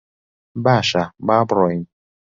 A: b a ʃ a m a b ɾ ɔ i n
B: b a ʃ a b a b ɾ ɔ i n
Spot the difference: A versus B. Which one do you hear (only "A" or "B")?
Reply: B